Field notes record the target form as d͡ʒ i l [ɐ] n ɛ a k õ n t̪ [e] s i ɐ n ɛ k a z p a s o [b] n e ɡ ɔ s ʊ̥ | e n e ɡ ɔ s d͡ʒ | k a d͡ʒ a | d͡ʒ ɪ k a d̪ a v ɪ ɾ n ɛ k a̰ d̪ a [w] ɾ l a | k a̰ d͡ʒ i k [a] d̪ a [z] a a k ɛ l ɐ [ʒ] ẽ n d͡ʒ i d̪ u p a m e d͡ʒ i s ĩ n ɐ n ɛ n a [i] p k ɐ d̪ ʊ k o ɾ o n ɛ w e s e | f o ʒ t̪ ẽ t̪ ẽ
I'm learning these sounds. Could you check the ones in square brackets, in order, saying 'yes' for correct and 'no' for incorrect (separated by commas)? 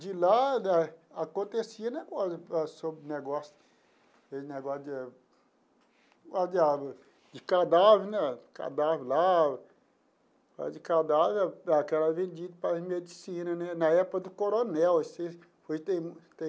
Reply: no, yes, yes, no, yes, no, no, no